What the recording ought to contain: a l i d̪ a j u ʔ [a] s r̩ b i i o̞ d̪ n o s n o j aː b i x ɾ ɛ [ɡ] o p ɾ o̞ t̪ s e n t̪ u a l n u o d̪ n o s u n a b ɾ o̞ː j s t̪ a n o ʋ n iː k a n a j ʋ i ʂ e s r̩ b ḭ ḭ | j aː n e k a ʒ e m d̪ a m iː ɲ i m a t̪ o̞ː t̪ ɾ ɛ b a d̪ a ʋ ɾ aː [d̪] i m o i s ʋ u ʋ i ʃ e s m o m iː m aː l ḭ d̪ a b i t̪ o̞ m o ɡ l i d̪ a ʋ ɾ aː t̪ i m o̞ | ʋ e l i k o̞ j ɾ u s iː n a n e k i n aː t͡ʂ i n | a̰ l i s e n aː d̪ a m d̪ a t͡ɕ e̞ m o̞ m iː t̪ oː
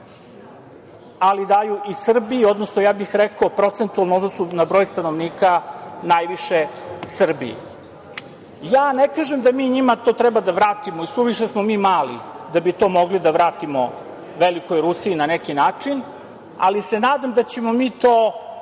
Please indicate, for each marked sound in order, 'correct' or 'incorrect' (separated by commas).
incorrect, incorrect, incorrect